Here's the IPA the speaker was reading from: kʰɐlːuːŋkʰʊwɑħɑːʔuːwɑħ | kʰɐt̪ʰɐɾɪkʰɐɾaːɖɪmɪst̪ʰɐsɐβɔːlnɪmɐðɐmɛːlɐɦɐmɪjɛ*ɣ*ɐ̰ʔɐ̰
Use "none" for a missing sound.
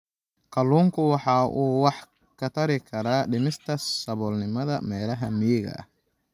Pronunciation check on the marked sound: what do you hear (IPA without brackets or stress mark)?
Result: ɣ